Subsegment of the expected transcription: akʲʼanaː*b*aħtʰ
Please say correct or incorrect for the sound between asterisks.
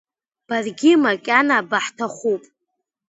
correct